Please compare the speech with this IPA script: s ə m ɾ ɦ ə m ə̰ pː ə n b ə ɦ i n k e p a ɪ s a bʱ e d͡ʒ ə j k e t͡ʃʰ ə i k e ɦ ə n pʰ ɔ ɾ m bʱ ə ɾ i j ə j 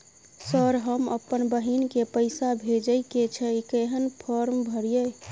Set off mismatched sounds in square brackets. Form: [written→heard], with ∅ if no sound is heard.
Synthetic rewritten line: s ə [m→∅] ɾ ɦ ə m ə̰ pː ə n b ə ɦ i n k e p [a→ə] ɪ s a bʱ e d͡ʒ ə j k e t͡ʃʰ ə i k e ɦ ə n pʰ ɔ ɾ m bʱ ə ɾ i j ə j